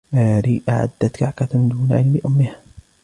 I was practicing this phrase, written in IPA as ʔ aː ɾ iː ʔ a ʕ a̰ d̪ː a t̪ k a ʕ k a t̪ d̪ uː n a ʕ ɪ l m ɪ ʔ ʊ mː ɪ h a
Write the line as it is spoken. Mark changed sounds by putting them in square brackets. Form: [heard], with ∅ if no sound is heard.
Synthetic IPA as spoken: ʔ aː ɾ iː ʔ a ʕ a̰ d̪ː a t̪ k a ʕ k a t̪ d̪ uː n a ʕ ɪ l m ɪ ʔ ʊ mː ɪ h a